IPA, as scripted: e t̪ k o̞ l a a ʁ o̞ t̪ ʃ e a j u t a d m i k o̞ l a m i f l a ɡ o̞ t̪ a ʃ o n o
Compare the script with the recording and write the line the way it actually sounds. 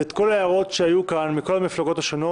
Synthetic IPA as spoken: e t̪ k o̞ l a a ʁ o̞ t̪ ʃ e a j u k a n m i k o̞ l a m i f l a ɡ o̞ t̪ a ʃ o n o